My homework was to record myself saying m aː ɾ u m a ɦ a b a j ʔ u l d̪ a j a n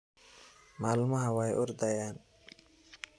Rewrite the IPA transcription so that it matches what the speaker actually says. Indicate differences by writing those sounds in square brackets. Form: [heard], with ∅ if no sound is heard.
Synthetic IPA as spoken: m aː [l] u m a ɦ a [w] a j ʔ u [ɾ] d̪ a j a n